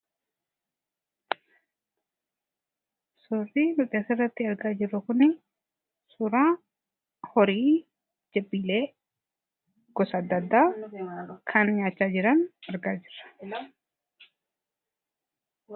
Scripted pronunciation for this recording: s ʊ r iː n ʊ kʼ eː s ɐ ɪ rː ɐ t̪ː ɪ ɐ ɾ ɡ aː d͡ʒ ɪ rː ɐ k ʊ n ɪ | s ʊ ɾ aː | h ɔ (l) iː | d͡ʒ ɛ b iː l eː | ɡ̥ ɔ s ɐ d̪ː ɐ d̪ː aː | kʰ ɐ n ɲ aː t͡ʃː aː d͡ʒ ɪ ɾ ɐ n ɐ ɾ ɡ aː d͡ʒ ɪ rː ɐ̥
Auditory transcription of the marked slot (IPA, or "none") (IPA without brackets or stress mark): ɾ